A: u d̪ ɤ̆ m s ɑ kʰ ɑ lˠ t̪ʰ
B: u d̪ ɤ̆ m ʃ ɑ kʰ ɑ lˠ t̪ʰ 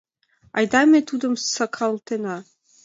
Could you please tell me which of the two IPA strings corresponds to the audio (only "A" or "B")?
A